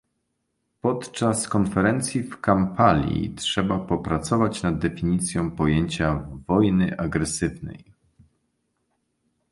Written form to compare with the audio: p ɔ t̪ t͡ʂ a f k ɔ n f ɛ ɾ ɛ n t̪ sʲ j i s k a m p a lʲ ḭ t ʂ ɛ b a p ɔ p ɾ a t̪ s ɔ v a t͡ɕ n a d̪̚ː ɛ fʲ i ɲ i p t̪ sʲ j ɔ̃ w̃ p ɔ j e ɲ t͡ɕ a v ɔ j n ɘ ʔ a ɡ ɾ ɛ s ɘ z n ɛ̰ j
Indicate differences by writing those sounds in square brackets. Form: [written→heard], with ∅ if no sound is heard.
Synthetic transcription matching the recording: p ɔ t̪ t͡ʂ a [f→s] k ɔ n f ɛ ɾ ɛ n t̪ sʲ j i [s→f] k a m p a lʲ ḭ t ʂ ɛ b a p ɔ p ɾ a t̪ s ɔ v a t͡ɕ n a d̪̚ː ɛ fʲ i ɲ i [p→∅] t̪ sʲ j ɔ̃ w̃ p ɔ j e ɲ t͡ɕ a v ɔ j n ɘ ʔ a ɡ ɾ ɛ s ɘ [z→v] n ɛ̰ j

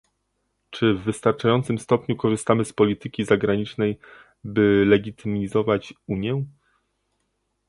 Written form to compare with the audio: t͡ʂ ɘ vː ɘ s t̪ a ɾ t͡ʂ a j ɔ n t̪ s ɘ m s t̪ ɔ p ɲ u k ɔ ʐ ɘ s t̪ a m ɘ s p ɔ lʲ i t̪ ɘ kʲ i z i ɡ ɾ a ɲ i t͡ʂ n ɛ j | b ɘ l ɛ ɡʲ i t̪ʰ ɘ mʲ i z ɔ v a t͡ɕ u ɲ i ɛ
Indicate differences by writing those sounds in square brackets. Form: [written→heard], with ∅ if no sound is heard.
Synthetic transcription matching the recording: t͡ʂ ɘ vː ɘ s t̪ a ɾ t͡ʂ a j ɔ n t̪ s ɘ m s t̪ ɔ p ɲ u k ɔ ʐ ɘ s t̪ a m ɘ s p ɔ lʲ i t̪ ɘ kʲ i z [i→a] ɡ ɾ a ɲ i t͡ʂ n ɛ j | b ɘ l ɛ ɡʲ i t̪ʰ ɘ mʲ i z ɔ v a t͡ɕ u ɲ [i→j] ɛ

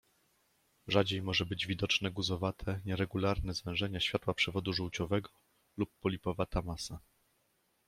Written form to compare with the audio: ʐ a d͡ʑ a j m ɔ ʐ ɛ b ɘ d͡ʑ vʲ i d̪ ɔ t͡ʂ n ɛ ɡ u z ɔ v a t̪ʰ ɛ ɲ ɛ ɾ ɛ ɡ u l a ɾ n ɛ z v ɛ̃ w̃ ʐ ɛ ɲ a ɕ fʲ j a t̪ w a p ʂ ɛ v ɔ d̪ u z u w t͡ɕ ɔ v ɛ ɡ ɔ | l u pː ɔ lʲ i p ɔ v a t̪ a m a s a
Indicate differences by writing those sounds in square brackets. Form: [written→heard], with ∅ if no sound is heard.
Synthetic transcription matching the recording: ʐ a d͡ʑ [a→e] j m ɔ ʐ ɛ b ɘ d͡ʑ vʲ i d̪ ɔ t͡ʂ n ɛ ɡ u z ɔ v a t̪ʰ ɛ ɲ ɛ ɾ ɛ ɡ u l a ɾ n ɛ z v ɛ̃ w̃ ʐ ɛ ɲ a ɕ fʲ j a t̪ w a p ʂ ɛ v ɔ d̪ u [z→ʐ] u w t͡ɕ ɔ v ɛ ɡ ɔ | l u pː ɔ lʲ i p ɔ v a t̪ a m a s a

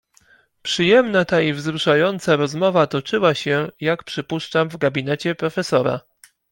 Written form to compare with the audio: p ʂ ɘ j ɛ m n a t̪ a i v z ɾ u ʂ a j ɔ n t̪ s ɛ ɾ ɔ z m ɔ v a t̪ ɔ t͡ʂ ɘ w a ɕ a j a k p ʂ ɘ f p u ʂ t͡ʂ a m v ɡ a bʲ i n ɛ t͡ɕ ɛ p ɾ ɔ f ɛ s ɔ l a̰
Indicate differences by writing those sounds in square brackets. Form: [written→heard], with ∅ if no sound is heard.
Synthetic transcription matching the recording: p ʂ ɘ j ɛ m n a t̪ a i v z ɾ u ʂ a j ɔ n t̪ s [ɛ→a] ɾ ɔ z m ɔ v a t̪ ɔ t͡ʂ ɘ w a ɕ [a→ɛ] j a k p ʂ ɘ [f→∅] p u ʂ t͡ʂ a m v ɡ a bʲ i n ɛ t͡ɕ ɛ p ɾ ɔ f ɛ s ɔ [l→ɾ] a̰

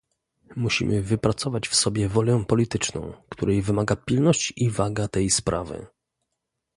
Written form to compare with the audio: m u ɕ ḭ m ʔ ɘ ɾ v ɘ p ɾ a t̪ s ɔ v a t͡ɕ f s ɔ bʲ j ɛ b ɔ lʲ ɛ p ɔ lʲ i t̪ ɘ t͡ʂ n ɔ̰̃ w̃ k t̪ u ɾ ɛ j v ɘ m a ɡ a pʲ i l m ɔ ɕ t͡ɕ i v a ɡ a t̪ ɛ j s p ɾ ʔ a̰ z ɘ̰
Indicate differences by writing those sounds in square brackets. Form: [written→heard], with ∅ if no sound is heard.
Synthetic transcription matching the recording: m u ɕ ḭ m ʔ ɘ [ɾ→∅] v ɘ p ɾ a t̪ s ɔ v a t͡ɕ f s ɔ bʲ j ɛ [b→v] ɔ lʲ ɛ p ɔ lʲ i t̪ ɘ t͡ʂ n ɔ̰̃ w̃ k t̪ u ɾ ɛ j v ɘ m a ɡ a pʲ i l [m→n] ɔ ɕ t͡ɕ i v a ɡ a t̪ ɛ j s p ɾ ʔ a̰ [z→v] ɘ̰

